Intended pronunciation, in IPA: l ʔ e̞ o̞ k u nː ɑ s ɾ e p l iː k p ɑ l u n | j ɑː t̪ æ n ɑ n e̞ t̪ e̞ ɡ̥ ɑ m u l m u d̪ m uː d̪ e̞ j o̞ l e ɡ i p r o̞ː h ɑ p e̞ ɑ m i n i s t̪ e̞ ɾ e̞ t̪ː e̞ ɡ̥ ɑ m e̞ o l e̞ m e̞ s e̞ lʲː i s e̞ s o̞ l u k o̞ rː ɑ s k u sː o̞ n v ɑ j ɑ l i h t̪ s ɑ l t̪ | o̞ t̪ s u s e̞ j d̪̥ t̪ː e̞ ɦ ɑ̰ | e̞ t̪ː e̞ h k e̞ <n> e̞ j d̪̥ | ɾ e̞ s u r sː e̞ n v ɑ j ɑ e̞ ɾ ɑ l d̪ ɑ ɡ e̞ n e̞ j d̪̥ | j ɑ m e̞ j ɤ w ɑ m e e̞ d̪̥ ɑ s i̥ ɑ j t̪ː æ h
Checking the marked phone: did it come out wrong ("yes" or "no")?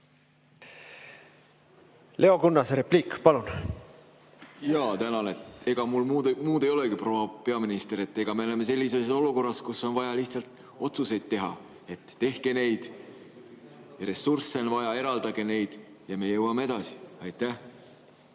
no